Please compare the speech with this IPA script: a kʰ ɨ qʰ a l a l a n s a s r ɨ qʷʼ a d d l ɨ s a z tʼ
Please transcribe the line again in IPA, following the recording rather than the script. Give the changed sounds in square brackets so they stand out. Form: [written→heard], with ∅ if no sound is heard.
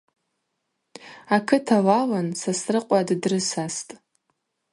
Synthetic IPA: a kʰ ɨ [qʰ→tʰ] a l a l a n s a s r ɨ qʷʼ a d d [l→r] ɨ s a [z→s] tʼ